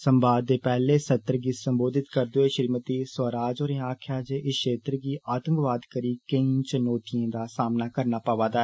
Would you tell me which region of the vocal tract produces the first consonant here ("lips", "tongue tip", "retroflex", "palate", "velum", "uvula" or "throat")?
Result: tongue tip